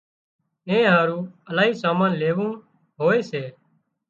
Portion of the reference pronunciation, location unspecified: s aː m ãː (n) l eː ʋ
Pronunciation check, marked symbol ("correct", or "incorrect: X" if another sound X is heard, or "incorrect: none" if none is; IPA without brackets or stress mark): correct